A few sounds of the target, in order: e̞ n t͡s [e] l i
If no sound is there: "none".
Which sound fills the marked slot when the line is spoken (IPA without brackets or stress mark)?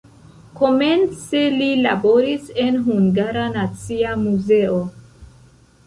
e